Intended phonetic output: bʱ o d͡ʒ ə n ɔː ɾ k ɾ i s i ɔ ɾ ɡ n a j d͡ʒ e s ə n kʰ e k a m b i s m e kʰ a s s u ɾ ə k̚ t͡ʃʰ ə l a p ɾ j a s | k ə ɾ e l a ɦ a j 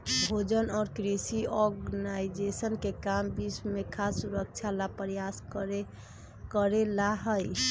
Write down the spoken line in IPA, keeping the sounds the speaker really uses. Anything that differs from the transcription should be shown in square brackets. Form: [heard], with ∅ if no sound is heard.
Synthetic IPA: bʱ o d͡ʒ ə n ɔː ɾ k ɾ i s i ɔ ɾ ɡ n a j d͡ʒ e s ə n [k] e k a m b i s m e kʰ a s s u ɾ ə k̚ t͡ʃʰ [a] l a p ɾ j a s | k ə ɾ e l a ɦ [ə] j